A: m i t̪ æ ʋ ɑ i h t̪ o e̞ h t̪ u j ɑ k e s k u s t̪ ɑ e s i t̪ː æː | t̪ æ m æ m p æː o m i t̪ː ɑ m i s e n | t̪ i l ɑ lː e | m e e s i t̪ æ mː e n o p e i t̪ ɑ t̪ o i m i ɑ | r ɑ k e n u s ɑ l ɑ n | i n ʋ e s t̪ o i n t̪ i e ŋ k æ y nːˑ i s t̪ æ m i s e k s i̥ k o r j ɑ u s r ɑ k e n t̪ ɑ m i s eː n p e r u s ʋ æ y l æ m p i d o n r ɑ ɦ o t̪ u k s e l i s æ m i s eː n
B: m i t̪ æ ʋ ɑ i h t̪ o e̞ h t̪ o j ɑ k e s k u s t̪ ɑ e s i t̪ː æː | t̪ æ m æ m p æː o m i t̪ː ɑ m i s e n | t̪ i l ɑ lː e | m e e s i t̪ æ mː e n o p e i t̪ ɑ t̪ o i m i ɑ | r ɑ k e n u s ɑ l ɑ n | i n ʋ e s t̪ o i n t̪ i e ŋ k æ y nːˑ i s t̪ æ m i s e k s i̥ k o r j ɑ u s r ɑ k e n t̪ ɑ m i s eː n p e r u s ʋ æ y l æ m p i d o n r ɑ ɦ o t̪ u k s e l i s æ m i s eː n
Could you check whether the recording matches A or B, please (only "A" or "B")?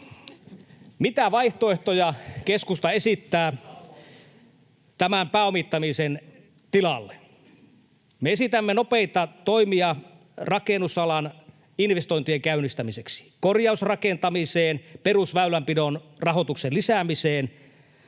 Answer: B